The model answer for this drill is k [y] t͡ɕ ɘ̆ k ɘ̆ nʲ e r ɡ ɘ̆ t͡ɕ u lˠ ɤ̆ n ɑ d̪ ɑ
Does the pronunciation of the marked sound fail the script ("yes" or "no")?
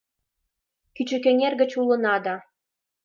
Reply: no